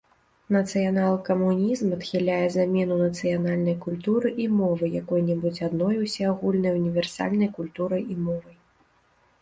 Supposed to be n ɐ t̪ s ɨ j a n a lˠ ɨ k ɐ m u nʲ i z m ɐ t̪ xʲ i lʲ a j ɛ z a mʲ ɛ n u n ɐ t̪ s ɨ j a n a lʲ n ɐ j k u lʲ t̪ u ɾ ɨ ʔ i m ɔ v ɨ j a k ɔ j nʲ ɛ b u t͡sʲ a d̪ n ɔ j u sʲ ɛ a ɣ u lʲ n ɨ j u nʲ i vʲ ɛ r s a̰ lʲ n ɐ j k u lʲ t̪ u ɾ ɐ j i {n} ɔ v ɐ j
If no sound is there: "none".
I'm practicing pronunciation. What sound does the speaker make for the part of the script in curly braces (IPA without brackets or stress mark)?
m